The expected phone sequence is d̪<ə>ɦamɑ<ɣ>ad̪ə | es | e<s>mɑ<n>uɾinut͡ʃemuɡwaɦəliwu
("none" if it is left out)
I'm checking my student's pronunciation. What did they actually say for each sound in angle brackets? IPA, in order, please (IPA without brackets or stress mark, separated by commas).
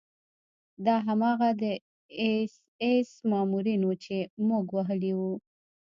ɑ, ɣ, s, m